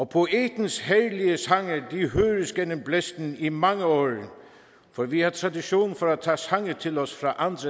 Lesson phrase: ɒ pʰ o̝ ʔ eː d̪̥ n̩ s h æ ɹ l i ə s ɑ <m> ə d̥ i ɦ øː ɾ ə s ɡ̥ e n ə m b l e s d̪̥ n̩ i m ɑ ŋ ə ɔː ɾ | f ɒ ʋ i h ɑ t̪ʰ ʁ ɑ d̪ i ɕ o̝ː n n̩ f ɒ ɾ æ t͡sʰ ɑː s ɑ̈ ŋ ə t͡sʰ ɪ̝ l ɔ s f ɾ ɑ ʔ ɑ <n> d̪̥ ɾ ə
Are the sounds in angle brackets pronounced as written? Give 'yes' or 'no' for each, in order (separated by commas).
no, yes